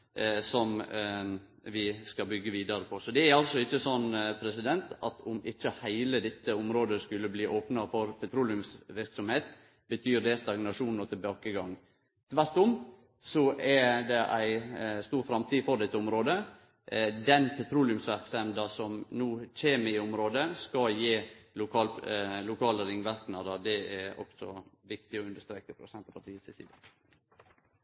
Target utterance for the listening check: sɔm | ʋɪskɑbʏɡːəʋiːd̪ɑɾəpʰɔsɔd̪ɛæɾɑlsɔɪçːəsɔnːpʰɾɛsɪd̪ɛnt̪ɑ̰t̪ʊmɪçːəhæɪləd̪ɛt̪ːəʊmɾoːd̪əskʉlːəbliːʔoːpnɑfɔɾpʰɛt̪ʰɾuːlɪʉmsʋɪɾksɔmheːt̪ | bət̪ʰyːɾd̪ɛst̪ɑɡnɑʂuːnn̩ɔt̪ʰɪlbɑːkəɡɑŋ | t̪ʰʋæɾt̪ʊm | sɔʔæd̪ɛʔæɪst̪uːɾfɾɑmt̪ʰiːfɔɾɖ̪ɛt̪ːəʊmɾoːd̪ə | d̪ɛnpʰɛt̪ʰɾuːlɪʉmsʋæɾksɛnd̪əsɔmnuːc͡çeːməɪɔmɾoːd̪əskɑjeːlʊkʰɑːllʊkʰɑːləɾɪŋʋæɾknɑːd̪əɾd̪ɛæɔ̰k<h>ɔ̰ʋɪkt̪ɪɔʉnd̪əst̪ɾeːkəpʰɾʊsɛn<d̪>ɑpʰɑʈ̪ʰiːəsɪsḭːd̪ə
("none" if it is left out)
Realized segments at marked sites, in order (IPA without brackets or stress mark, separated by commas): s, t̪